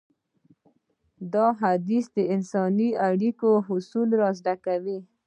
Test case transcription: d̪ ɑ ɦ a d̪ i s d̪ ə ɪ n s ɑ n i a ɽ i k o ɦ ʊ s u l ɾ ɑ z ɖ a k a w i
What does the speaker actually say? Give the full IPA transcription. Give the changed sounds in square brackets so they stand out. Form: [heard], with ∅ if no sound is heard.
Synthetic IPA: d̪ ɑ ɦ a d̪ i s d̪ ə ɪ n s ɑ n i a ɽ i k o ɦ ʊ s u l ɾ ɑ z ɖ a k a w i